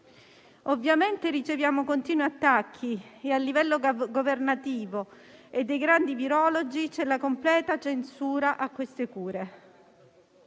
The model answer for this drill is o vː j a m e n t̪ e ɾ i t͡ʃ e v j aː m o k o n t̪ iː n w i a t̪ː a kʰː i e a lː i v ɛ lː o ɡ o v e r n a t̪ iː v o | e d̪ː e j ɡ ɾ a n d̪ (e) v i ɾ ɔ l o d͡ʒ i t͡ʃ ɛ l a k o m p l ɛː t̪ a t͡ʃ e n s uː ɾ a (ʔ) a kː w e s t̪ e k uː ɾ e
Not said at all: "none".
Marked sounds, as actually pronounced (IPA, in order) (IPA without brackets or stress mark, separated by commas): i, ʔ